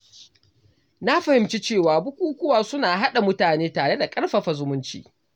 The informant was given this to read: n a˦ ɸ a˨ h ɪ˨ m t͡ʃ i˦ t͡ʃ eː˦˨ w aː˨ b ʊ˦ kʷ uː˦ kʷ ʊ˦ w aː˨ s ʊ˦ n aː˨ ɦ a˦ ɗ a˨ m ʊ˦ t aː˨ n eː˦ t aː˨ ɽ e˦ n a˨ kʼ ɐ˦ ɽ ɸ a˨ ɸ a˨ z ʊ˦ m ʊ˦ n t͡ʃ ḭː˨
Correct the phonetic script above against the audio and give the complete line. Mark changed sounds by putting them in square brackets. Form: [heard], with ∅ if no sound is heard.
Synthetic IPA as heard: n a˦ ɸ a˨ h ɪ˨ m t͡ʃ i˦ t͡ʃ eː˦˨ w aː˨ b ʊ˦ kʷ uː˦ kʷ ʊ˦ w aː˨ s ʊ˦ n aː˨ ɦ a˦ ɗ a˨ m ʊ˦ t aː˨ n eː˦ t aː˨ ɽ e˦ [d] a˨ kʼ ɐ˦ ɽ ɸ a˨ ɸ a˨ z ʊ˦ m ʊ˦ n t͡ʃ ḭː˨